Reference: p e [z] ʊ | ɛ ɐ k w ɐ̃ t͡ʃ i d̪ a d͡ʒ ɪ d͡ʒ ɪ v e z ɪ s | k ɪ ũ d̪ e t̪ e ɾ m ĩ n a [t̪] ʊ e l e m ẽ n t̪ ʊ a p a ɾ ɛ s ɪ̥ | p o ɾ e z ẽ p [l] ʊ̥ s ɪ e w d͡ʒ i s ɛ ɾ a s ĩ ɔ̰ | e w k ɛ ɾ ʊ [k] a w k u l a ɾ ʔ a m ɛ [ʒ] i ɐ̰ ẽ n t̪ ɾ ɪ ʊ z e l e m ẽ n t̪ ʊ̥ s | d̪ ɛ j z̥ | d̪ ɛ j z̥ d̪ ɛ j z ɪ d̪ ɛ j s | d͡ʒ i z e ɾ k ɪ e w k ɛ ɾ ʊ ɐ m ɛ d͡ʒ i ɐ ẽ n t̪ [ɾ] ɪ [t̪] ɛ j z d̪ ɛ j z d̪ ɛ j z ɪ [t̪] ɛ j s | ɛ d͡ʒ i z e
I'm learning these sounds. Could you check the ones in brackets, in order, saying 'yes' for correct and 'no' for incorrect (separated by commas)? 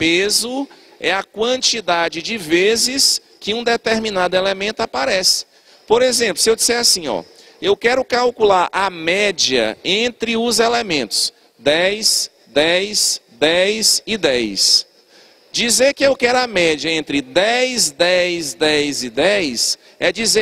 yes, no, yes, yes, no, yes, no, no